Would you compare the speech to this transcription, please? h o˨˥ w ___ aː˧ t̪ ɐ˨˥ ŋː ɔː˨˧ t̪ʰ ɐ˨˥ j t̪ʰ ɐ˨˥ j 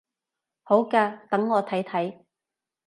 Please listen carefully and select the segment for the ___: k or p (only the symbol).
k